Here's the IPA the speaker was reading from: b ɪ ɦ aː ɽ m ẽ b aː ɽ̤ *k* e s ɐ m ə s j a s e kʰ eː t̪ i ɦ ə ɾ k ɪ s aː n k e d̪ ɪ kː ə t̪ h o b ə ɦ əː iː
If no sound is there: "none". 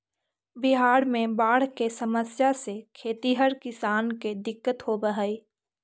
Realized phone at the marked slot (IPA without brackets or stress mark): k